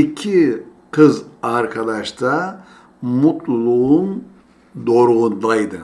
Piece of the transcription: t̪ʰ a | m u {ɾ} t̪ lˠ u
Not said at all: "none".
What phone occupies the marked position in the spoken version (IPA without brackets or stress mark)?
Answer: none